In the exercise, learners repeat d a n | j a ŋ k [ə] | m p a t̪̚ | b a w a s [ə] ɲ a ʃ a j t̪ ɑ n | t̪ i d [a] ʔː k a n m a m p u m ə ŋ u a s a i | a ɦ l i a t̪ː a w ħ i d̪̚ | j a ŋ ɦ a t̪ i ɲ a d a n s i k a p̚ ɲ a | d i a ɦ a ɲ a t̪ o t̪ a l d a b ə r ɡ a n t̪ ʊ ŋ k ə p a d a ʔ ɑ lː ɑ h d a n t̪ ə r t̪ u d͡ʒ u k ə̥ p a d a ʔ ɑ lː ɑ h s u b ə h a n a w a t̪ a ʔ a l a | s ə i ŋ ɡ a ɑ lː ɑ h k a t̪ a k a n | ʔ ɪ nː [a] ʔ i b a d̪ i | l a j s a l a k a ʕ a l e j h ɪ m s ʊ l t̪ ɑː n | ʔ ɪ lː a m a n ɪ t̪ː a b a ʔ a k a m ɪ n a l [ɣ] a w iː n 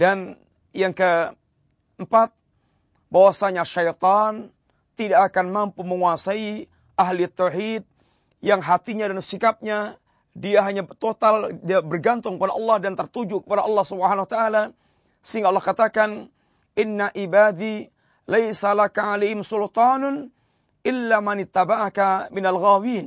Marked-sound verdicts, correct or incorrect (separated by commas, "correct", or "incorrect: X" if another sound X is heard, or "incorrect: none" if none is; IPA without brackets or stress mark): correct, incorrect: a, correct, correct, correct